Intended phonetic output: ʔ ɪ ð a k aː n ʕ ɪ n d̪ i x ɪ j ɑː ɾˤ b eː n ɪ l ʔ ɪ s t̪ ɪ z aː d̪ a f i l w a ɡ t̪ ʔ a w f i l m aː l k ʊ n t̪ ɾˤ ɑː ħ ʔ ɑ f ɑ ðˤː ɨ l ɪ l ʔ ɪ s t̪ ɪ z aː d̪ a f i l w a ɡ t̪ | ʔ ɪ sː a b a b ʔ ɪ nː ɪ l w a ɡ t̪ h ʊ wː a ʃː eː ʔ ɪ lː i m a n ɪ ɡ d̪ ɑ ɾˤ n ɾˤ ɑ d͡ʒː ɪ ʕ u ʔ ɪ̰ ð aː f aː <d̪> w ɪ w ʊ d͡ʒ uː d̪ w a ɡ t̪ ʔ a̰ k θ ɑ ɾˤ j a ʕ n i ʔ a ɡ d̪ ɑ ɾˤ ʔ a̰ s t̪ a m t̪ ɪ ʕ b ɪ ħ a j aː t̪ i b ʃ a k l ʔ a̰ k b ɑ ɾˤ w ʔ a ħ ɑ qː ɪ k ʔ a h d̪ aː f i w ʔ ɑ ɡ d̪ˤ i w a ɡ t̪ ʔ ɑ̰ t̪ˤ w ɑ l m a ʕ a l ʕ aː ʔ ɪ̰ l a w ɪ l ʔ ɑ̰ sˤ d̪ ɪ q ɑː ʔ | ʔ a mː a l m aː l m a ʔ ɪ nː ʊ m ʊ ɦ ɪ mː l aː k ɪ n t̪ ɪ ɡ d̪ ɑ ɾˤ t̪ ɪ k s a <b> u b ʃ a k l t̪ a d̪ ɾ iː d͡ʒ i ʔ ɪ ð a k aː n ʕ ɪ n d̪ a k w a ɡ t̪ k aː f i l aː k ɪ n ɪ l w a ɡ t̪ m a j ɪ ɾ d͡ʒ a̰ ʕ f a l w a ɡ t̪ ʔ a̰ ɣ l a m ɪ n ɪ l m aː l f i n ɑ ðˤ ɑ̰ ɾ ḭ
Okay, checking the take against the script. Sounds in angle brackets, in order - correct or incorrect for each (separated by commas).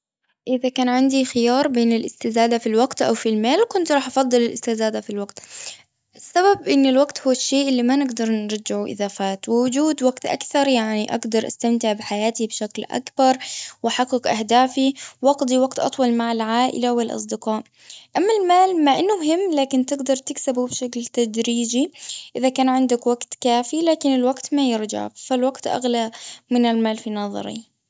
incorrect, correct